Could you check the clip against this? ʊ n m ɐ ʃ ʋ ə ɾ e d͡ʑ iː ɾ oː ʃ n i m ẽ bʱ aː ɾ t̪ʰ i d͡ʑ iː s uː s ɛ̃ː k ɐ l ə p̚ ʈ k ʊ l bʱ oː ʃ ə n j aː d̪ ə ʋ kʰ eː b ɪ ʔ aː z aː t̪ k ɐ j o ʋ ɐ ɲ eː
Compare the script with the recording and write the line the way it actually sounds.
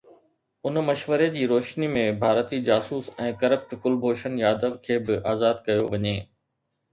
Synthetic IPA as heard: ʊ n m ɐ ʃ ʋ ə ɾ e d͡ʑ iː ɾ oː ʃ n i m ẽ bʱ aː ɾ t̪ i d͡ʑ aː s uː s ɛ̃ː k ɐ ɾ ə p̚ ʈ k ʊ l bʱ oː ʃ ə n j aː d̪ ə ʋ kʰ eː b ɪ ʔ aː z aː d̪ k ɐ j o ʋ ɐ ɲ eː